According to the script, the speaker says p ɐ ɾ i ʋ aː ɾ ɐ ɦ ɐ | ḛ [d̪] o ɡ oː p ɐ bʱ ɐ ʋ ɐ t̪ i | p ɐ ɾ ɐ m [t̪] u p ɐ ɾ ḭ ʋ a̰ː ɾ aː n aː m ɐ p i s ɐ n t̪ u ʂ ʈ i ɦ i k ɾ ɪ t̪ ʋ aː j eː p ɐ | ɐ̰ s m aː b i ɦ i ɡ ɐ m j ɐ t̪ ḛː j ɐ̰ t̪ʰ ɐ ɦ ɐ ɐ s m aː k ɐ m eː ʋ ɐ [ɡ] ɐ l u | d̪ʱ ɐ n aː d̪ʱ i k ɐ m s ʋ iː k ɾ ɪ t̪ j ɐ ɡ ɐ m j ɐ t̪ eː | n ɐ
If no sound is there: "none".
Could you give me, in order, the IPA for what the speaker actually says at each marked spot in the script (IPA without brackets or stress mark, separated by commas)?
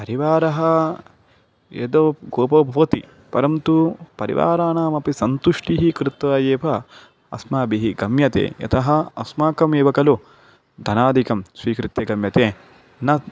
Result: d̪, t̪, k